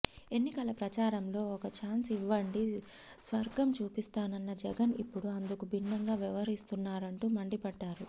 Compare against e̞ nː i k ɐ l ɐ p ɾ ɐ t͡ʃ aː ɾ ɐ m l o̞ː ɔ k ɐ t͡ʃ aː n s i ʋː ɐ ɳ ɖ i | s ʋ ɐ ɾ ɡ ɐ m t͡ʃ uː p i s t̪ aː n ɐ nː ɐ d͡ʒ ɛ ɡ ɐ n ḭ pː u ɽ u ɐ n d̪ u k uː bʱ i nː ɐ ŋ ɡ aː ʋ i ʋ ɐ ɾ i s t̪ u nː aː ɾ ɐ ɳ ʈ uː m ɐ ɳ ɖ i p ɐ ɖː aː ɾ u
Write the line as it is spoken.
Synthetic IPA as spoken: e̞ nː i k ɐ l ɐ p ɾ ɐ t͡ʃ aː ɾ ɐ m l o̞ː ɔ k ɐ t͡ʃ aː n s i ʋː ɐ ɳ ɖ i | s ʋ ɐ ɾ ɡ ɐ m t͡ʃ uː p i s t̪ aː n ɐ nː ɐ d͡ʒ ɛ ɡ ɐ n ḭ pː u ɽ u ɐ n d̪ u k u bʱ i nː ɐ ŋ ɡ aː ʋ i ʋ ɐ ɾ i s t̪ u nː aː ɾ ɐ ɳ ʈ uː m ɐ ɳ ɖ i p ɐ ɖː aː ɾ u

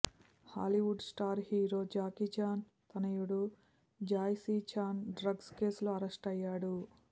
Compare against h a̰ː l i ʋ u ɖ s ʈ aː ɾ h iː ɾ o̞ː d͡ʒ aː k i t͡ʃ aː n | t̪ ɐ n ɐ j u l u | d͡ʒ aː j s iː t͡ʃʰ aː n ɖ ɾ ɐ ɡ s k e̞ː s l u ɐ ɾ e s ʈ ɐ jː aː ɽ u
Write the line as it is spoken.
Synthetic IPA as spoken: h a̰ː l i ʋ u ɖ s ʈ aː ɾ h iː ɾ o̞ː d͡ʒ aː k i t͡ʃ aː n | t̪ ɐ n ɐ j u ɽ u | d͡ʒ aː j s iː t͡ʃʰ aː n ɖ ɾ ɐ ɡ s k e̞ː s l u ɐ ɾ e s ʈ ɐ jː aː ɽ u

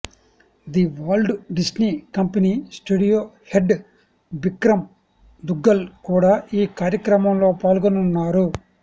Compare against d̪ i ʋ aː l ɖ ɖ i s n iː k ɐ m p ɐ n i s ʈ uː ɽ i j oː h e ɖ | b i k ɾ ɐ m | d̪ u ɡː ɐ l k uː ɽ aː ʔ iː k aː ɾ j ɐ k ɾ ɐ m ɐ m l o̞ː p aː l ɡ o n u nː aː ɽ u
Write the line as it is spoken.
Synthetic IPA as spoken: d̪ i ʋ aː l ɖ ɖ i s n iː k ɐ m p ɐ n i s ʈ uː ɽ i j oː h e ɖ | b i k ɾ ɐ m | d̪ u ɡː ɐ l k uː ɽ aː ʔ iː k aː ɾ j ɐ k ɾ ɐ m ɐ m l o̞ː p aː l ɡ o n u nː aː ɾ u

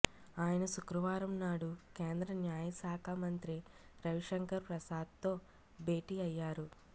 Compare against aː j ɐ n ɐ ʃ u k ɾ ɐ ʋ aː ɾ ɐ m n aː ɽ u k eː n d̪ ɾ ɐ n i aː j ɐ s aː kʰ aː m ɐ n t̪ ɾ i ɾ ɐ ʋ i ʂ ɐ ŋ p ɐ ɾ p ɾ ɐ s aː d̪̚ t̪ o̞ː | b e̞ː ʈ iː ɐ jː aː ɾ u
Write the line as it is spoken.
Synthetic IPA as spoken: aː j ɐ n ɐ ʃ u k ɾ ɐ ʋ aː ɾ ɐ m n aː ɽ u k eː n d̪ ɾ ɐ n j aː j ɐ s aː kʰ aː m ɐ n t̪ ɾ i ɾ ɐ ʋ i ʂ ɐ ŋ k ɐ ɾ p ɾ ɐ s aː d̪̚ t̪ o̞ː | b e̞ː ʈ iː ɐ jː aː ɾ u

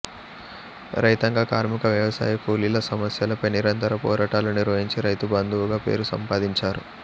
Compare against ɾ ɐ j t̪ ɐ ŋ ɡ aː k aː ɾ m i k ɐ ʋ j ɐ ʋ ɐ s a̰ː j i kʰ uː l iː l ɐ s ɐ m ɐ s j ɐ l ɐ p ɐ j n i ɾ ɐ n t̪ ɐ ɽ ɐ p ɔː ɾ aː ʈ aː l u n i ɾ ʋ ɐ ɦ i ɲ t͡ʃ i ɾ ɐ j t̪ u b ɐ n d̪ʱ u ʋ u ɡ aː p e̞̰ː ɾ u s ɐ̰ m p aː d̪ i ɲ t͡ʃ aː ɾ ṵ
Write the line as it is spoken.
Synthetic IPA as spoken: ɾ ɐ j t̪ ɐ ŋ ɡ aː k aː ɾ m i k ɐ ʋ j ɐ ʋ ɐ s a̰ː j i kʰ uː l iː l ɐ s ɐ m ɐ s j ɐ l ɐ p ɐ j n i ɾ ɐ n t̪ ɐ ɾ ɐ p ɔː ɾ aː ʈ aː l u n i ɾ ʋ ɐ ɦ i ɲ t͡ʃ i ɾ ɐ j t̪ u b ɐ n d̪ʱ u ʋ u ɡ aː p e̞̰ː ɾ u s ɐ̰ m p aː d̪ i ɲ t͡ʃ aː ɾ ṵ

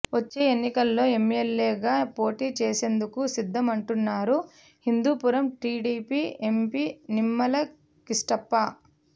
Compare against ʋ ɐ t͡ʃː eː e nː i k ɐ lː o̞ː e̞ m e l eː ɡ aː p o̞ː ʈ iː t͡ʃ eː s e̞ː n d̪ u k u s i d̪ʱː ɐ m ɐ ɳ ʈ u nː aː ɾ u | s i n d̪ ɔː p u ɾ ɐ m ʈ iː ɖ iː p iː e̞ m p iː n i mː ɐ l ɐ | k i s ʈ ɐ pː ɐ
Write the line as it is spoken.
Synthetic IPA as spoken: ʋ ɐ t͡ʃː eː e nː i k ɐ lː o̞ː e̞ m e l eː ɡ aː p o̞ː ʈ iː t͡ʃ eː s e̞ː n d̪ u k u s i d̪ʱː ɐ m ɐ ɳ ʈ u nː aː ɾ u | h i n d̪ uː p u ɾ ɐ m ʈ iː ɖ iː p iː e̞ m p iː n i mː ɐ l ɐ | k i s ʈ ɐ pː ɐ

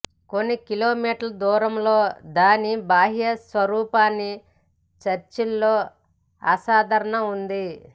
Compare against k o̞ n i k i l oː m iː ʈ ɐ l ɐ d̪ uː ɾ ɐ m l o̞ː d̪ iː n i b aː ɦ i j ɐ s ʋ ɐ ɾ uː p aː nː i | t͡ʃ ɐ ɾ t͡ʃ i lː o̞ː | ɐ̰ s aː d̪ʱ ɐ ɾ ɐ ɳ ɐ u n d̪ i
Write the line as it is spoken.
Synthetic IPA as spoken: k o̞ nː i k i l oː m iː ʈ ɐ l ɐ d̪ uː ɾ ɐ m l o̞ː d̪ aː n i b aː ɦ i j ɐ s ʋ ɐ ɾ uː p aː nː i | t͡ʃ ɐ ɾ t͡ʃ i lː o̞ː | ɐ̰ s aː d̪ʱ ɐ ɾ ɐ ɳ ɐ u n d̪ i

